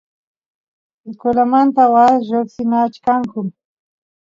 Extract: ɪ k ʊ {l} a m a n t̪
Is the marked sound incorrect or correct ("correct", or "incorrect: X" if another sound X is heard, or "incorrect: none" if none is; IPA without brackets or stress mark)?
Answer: correct